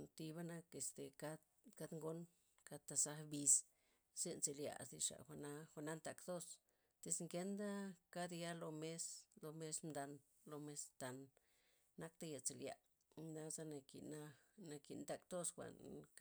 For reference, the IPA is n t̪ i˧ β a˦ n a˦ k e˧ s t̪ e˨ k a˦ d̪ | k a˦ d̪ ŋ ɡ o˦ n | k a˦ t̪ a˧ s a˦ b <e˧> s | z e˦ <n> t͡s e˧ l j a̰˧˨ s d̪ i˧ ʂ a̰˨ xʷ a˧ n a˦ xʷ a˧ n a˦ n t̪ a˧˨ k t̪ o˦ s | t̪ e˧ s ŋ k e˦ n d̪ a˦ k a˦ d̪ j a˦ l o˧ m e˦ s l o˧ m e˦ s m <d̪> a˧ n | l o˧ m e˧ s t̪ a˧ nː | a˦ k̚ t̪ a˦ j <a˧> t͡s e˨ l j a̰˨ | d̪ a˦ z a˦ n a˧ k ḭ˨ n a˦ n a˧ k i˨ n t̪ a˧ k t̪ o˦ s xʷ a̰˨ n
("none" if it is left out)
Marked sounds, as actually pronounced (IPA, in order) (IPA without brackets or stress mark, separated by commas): i˧, n, d̪, a˧